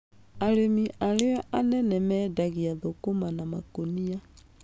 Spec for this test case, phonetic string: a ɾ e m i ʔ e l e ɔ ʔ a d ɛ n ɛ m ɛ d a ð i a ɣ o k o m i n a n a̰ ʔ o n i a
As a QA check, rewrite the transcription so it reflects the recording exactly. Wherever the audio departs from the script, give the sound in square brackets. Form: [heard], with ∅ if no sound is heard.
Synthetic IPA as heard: a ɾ e m i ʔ [a] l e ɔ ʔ a [n] ɛ n ɛ m ɛ d a [ɣ] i a [ð] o k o m [a] n a [m] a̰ [k] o n i a